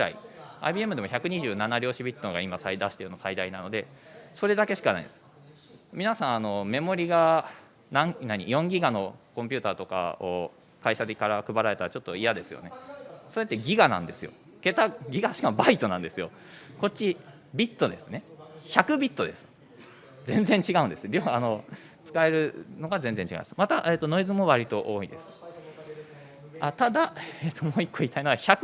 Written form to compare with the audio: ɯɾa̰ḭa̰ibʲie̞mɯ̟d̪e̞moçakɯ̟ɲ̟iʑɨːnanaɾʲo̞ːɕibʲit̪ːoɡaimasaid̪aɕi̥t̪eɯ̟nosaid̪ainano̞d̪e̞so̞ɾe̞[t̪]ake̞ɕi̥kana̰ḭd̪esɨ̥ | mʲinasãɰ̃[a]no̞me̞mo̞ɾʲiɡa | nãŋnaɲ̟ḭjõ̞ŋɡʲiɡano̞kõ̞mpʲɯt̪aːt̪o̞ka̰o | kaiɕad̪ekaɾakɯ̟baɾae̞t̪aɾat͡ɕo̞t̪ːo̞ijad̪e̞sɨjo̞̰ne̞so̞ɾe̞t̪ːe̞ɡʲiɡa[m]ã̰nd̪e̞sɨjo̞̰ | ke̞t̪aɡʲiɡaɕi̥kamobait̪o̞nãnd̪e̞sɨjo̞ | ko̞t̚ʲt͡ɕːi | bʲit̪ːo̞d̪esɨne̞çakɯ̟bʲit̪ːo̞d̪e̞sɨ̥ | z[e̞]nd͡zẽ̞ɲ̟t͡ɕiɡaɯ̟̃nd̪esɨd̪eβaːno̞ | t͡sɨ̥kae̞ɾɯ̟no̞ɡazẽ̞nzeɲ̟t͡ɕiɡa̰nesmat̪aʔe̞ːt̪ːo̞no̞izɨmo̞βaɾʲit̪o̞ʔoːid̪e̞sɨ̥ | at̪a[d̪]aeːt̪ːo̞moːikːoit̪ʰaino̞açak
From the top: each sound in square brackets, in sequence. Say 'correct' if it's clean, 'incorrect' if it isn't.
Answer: incorrect, correct, incorrect, incorrect, correct

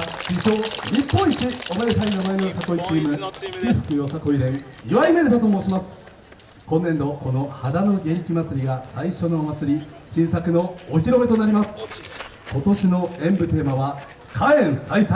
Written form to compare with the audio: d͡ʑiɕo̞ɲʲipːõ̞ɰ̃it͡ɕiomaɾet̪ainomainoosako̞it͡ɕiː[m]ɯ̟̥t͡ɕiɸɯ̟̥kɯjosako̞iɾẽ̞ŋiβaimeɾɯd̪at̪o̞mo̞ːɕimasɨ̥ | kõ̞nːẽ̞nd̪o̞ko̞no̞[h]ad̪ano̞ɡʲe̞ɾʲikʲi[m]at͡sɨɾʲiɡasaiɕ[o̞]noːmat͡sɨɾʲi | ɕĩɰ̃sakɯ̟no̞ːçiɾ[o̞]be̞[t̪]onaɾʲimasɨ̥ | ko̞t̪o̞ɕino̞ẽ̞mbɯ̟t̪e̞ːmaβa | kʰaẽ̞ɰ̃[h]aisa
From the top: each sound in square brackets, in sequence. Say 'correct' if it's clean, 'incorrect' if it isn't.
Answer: correct, correct, correct, correct, correct, correct, incorrect

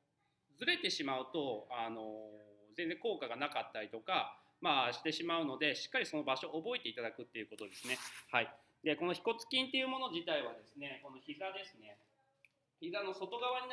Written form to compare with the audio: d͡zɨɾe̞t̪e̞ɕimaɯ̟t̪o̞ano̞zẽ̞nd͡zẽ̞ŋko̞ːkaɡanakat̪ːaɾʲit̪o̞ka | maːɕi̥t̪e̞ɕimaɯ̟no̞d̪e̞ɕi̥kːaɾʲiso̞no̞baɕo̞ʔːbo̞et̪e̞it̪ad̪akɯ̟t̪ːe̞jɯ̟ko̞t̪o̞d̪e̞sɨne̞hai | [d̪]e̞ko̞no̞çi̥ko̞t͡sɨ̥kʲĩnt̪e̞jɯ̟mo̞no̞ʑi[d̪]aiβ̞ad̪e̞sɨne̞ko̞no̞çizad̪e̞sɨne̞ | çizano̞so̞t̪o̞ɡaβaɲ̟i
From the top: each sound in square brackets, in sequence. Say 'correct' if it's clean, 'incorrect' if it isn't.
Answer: correct, incorrect

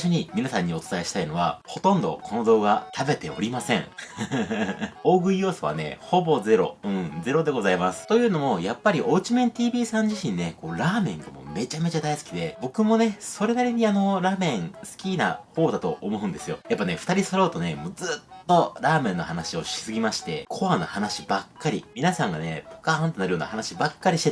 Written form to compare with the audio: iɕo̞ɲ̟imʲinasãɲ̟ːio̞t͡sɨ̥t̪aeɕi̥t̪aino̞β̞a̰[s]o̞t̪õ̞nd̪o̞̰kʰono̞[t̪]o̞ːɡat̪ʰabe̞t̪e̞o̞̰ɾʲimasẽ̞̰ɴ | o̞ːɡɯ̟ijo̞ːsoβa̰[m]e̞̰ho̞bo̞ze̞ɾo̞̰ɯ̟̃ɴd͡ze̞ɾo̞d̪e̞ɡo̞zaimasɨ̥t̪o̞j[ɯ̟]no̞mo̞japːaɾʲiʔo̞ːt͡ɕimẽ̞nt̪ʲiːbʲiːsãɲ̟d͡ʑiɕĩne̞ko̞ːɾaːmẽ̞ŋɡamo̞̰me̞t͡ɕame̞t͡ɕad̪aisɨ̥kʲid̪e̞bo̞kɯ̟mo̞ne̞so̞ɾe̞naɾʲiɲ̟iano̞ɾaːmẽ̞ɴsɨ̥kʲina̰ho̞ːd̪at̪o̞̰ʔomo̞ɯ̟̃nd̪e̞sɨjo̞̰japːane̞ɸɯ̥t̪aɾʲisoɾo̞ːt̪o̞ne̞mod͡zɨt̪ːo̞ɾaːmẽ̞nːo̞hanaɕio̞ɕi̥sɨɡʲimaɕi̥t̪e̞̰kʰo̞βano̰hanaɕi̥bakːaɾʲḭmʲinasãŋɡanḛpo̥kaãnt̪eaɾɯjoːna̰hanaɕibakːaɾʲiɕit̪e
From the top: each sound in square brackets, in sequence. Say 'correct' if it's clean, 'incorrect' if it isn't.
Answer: incorrect, incorrect, incorrect, incorrect

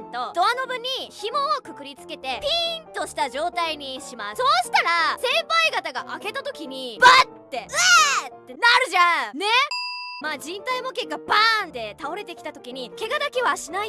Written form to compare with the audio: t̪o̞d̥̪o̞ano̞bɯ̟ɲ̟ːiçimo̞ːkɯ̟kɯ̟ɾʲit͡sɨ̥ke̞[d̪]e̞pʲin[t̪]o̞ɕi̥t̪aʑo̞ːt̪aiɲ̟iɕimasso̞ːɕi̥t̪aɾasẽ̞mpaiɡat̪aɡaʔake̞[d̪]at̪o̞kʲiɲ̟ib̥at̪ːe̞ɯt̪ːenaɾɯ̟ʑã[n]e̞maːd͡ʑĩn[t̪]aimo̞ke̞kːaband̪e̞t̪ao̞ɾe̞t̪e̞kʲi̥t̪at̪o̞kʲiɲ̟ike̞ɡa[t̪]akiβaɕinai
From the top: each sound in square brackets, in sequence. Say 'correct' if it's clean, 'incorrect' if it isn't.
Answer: incorrect, correct, incorrect, correct, correct, incorrect

